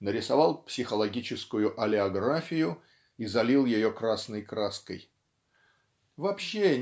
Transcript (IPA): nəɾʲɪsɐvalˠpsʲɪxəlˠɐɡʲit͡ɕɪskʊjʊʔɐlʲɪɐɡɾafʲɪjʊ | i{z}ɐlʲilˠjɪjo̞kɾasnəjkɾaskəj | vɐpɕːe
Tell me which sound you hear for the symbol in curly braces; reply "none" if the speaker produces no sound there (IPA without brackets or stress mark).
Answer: z